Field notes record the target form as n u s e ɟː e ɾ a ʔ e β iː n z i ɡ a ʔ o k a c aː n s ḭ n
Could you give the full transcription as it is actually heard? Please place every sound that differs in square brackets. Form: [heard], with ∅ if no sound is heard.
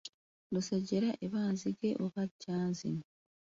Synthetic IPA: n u s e [ɟ] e ɾ a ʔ e β [aː] n z i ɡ [e] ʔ o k a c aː n [z] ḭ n

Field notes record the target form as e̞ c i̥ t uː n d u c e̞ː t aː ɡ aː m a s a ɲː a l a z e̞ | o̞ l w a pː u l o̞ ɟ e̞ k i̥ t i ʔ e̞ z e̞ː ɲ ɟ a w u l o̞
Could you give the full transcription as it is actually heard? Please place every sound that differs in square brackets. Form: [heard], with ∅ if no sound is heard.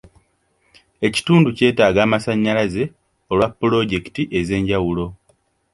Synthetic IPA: e̞ c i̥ t uː n d u c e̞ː t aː ɡ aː m a s a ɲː a l a z e̞ | o̞ l w a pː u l o̞ ɟ e̞ k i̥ t i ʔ e̞ z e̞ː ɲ ɟ a w u l o̞

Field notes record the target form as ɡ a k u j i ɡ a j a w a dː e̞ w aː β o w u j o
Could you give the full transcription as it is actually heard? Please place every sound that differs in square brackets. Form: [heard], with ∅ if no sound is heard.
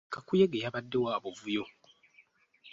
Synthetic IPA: [k] a k u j [e] ɡ [e] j a [β] a dː e̞ w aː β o [v] u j o

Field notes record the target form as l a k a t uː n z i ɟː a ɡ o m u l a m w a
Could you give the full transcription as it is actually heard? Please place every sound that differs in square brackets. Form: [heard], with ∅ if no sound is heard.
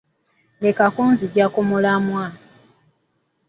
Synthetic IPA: l [e] k a [k] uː n z i [ɟ] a [k] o m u l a m w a

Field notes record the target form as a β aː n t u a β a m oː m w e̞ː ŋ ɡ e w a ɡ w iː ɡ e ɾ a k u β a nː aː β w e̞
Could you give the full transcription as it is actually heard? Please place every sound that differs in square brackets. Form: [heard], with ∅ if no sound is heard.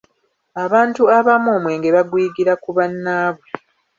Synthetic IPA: a β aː n t u a β a m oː m w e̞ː ŋ ɡ e [β] a ɡ w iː ɡ [i] ɾ a k u β a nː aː β w e̞

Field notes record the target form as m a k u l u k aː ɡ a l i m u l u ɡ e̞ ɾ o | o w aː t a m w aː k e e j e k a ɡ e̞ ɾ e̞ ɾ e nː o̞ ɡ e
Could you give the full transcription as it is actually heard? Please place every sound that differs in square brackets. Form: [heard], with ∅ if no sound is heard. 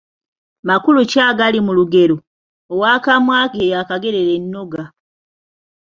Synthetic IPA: m a k u l u [c] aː ɡ a l i m u l u ɡ e̞ ɾ o | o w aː [k] a m w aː k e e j [a] k a ɡ e̞ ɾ e̞ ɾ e nː o̞ ɡ [a]

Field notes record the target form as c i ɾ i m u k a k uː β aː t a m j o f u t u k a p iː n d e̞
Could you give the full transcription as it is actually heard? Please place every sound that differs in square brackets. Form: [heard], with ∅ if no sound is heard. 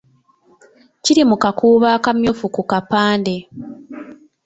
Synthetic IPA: c i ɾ i m u k a k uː β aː [k] a m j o f u [k] u k a p [aː] n d e̞

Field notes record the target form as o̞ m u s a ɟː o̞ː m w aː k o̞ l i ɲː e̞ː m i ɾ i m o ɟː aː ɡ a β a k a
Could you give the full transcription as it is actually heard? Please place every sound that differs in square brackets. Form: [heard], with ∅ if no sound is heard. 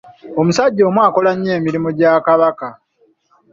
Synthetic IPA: o̞ m u s a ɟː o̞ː m w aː k o̞ l [a] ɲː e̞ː m i ɾ i m o [ɟ] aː [k] a β a k a

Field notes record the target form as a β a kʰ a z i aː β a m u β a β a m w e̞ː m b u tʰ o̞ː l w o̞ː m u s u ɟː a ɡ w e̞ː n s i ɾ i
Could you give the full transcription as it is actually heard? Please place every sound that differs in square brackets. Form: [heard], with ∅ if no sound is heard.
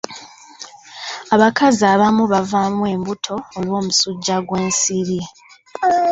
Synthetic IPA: a β a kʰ a z i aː β a m u β a [v] a m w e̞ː m b u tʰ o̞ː l w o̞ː m u s u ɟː a ɡ w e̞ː n s i ɾ i

